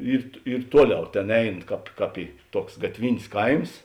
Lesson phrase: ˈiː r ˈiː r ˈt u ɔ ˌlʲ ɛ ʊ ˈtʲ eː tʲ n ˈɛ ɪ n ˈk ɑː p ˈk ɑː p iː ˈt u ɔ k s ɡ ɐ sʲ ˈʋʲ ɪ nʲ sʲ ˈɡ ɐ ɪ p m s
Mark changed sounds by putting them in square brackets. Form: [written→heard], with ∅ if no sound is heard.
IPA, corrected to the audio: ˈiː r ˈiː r ˈt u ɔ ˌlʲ ɛ ʊ ˈtʲ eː [tʲ→∅] n ˈɛ ɪ n ˈk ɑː p ˈk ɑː p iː ˈt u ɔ k s ɡ ɐ [sʲ→tʲ] ˈʋʲ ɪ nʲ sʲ [ˈɡ→ˈk] ɐ ɪ [p→∅] m s